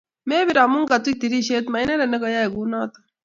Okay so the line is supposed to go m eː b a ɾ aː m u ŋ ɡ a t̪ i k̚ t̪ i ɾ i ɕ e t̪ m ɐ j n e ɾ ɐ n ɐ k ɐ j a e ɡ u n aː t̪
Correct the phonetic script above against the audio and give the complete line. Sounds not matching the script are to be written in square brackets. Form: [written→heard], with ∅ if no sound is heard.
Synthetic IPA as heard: m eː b [a→i] ɾ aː m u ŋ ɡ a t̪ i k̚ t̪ i ɾ i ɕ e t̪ m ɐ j n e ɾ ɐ n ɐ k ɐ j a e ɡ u n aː t̪